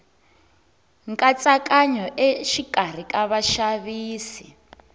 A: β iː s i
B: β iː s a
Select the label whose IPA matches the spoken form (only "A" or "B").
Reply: A